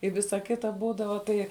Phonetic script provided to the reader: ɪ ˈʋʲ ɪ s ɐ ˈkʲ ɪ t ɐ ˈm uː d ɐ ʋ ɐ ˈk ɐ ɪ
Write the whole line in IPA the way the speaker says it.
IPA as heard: ɪ ˈʋʲ ɪ s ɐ ˈkʲ ɪ t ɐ ˈb uː d ɐ ʋ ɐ ˈt ɐ ɪ